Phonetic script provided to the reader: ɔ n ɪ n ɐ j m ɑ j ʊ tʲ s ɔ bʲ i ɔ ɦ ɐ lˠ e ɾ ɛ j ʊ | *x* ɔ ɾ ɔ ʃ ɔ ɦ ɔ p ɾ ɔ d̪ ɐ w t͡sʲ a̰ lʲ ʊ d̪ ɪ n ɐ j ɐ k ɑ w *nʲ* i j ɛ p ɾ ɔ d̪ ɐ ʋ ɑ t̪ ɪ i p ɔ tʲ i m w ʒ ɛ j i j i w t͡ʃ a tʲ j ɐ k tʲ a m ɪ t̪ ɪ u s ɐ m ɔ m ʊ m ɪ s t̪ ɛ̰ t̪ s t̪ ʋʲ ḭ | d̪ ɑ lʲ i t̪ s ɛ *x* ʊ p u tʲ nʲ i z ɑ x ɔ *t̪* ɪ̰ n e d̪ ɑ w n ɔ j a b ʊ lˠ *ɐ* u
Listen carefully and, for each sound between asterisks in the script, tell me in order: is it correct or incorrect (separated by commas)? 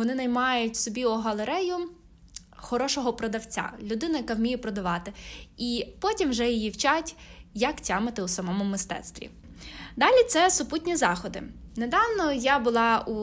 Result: correct, incorrect, incorrect, incorrect, incorrect